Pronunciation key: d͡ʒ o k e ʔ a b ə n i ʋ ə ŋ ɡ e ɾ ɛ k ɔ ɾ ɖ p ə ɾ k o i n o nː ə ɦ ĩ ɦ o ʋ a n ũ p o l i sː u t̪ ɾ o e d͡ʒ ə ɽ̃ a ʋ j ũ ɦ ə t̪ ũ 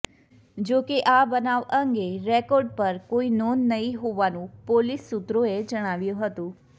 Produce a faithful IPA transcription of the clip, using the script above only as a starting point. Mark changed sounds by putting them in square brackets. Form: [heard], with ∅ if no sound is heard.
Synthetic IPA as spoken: d͡ʒ o k e ʔ a b ə n [a] ʋ ə ŋ ɡ e ɾ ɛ k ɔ ɾ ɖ p ə ɾ k o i n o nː ə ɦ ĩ ɦ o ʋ a n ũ p o l i sː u t̪ ɾ o e d͡ʒ ə ɽ̃ a ʋ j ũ ɦ ə t̪ ũ